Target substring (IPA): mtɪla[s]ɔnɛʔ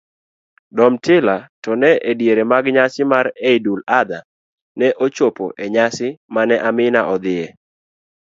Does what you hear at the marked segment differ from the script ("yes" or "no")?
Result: yes